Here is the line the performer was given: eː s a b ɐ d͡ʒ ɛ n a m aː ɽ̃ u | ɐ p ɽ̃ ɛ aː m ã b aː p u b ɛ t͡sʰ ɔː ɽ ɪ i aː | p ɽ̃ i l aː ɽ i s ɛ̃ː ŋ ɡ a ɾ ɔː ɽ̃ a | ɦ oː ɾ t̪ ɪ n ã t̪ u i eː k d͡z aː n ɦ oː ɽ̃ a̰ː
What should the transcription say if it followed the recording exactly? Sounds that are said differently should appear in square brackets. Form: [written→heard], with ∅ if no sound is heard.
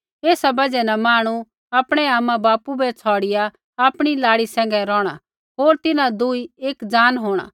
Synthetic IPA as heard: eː s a b ɐ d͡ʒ ɛ n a m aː ɽ̃ u | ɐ p ɽ̃ ɛ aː m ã b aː p u b ɛ t͡sʰ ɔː ɽ ɪ [i→j] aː | p ɽ̃ i l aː ɽ i s ɛ̃ː ŋ ɡ [a→ɛ] ɾ ɔː ɽ̃ a | ɦ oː ɾ t̪ ɪ n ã [t̪→d̪] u i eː k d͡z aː n ɦ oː ɽ̃ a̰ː